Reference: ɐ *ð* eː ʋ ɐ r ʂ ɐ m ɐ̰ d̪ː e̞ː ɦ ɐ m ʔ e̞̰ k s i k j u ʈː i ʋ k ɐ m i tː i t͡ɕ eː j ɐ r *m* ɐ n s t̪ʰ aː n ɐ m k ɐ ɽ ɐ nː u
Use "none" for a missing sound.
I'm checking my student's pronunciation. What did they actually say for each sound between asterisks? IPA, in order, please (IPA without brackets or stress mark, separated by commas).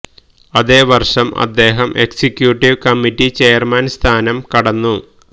ð, m